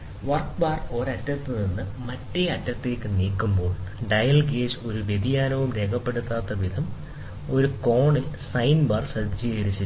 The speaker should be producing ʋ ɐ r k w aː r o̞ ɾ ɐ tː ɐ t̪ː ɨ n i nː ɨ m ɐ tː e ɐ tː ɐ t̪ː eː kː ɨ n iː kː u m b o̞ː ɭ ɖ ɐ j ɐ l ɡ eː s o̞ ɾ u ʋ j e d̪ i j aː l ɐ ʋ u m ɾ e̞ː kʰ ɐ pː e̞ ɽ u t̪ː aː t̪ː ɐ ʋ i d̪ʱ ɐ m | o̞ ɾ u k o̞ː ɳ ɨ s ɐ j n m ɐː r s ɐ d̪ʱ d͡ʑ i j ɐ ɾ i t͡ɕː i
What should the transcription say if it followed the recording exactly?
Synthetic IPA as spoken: ʋ ɐ r k b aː r o̞ ɾ ɐ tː ɐ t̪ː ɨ n i nː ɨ m ɐ tː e ɐ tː ɐ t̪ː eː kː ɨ n iː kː u m b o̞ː ɭ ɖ ɐ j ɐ l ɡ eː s o̞ ɾ u ʋ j e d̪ i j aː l ɐ ʋ u m ɾ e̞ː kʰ ɐ pː e̞ ɽ u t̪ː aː t̪ː ɐ ʋ i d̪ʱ ɐ m | o̞ ɾ u k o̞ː ɳ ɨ s ɐ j n b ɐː r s ɐ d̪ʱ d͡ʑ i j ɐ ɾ i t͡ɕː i